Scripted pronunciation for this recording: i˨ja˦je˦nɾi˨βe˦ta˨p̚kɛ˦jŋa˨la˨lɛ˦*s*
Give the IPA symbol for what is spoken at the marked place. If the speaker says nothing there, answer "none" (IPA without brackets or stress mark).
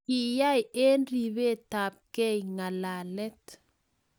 t